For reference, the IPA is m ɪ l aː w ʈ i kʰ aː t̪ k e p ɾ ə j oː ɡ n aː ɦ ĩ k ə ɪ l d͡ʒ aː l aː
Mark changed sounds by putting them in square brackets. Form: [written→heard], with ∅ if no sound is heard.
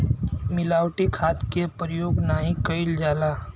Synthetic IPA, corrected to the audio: m ɪ l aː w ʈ i kʰ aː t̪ k e p ɾ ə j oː ɡ n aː ɦ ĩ k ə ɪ l d͡ʒ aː l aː